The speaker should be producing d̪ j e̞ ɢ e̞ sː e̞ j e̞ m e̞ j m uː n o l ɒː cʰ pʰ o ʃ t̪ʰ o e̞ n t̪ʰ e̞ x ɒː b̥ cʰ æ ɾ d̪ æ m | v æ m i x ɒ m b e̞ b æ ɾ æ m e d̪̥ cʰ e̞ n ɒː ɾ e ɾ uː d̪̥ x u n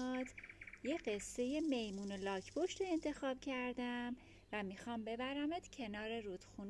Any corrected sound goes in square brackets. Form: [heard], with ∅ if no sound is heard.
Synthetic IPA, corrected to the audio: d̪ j e̞ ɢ e̞ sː e̞ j e̞ m e̞ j m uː n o l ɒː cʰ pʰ o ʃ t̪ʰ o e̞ n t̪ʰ e̞ x ɒː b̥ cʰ æ ɾ d̪ æ m | v æ m i x ɒ m b e̞ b æ ɾ æ m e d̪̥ cʰ e̞ n ɒː ɾ e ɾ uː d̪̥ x u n